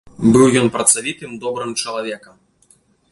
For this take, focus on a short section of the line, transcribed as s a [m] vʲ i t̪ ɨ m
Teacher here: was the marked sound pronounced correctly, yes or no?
no